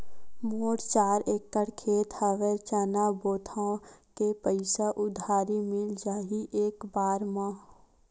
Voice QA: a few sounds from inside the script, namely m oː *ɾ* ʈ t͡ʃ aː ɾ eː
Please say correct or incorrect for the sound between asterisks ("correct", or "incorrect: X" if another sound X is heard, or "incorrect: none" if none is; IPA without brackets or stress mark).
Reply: incorrect: none